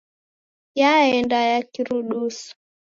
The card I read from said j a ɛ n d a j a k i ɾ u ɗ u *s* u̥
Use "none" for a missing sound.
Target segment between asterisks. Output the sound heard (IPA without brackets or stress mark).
s